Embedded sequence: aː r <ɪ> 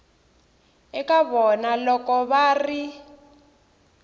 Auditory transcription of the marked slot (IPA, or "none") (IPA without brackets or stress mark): i